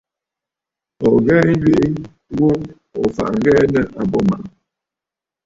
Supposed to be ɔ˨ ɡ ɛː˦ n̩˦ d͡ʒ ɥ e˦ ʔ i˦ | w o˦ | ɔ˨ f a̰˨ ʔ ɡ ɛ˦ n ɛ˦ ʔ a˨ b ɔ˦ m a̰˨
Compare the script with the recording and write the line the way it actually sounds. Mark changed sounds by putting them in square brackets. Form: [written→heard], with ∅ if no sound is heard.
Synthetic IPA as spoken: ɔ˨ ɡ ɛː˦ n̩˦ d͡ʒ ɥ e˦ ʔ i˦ | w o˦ | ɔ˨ f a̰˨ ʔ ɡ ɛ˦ n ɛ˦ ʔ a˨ b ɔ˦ m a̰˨